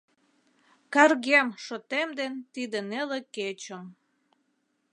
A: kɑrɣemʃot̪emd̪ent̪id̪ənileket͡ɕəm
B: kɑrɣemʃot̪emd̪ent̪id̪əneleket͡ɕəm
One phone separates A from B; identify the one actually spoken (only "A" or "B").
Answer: B